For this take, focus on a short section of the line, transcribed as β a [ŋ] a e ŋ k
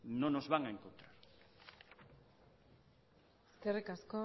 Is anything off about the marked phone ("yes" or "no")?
no